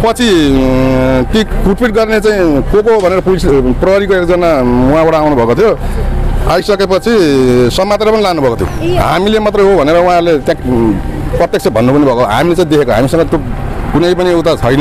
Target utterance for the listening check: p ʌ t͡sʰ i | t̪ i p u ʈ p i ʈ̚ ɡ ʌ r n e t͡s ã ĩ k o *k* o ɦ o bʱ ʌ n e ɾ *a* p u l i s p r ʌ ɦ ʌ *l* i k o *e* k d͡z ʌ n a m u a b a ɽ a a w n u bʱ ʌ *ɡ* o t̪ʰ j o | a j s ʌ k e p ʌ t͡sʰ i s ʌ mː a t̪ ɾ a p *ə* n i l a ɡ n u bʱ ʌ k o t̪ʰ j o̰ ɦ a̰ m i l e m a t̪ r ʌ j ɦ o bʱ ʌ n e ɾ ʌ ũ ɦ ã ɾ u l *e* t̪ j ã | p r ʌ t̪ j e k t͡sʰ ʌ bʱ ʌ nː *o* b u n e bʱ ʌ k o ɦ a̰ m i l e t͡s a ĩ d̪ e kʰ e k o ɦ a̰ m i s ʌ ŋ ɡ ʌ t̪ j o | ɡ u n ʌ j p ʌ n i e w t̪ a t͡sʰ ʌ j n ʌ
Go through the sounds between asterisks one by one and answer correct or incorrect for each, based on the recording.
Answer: correct, incorrect: ʌ, incorrect: ɾ, correct, incorrect: k, incorrect: ʌ, correct, incorrect: u

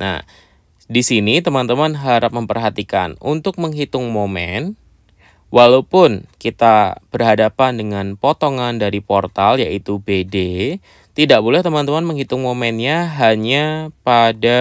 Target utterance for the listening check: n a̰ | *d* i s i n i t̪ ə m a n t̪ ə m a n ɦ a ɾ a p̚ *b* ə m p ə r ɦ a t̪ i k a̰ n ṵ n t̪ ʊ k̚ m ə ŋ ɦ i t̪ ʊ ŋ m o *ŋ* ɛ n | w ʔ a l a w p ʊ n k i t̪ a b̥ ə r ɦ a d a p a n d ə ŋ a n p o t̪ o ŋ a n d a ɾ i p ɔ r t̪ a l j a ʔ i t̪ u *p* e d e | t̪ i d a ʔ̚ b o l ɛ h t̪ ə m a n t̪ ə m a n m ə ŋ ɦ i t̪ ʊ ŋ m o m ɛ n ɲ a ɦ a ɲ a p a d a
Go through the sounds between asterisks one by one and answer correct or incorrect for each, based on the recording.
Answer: correct, incorrect: m, incorrect: m, incorrect: b

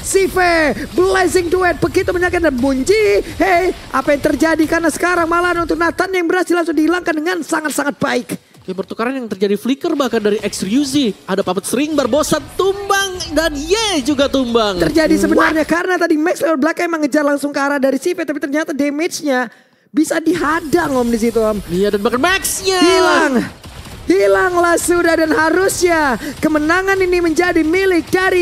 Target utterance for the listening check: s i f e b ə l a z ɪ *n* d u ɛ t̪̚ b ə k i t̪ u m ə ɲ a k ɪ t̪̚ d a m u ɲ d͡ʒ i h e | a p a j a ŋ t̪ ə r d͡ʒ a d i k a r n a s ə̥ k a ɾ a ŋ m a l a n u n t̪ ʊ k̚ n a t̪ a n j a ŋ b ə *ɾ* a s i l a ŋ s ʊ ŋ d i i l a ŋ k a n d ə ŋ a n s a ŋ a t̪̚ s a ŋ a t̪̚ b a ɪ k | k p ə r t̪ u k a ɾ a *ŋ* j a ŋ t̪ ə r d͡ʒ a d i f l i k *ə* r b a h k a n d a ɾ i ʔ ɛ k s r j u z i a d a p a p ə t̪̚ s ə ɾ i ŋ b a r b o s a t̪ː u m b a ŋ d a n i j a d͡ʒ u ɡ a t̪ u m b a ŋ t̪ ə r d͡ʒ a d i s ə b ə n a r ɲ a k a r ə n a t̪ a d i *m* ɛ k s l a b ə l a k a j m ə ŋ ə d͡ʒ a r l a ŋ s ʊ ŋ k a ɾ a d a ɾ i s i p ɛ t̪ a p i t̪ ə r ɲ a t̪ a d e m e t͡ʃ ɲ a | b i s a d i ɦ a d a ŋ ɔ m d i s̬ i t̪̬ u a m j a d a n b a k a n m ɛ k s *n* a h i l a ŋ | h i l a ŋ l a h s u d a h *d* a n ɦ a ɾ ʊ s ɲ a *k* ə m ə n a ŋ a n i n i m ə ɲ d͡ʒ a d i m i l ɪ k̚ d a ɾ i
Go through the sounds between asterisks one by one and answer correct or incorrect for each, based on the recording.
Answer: incorrect: ŋ, correct, incorrect: n, correct, correct, incorrect: ɲ, correct, correct

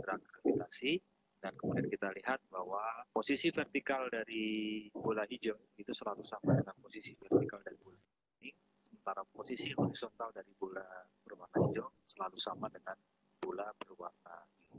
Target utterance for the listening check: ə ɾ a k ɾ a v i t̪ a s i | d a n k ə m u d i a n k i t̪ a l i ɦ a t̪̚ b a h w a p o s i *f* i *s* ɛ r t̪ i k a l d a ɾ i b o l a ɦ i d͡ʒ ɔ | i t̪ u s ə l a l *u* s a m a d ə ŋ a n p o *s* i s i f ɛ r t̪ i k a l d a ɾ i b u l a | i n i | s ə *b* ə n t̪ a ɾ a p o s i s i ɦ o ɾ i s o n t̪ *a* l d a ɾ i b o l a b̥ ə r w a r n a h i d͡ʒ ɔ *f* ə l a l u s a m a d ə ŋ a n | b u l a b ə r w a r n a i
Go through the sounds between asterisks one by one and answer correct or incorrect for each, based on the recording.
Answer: incorrect: s, incorrect: f, correct, correct, incorrect: m, correct, incorrect: s

